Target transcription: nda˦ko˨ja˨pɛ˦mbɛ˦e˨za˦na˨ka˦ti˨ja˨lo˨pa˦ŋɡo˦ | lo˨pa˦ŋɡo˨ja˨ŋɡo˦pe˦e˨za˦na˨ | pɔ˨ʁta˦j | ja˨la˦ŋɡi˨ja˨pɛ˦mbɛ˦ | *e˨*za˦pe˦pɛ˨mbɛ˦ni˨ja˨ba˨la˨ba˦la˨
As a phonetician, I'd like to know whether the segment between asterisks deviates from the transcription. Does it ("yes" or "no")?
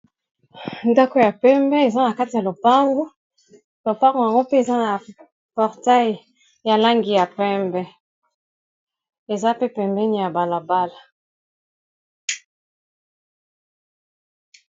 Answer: no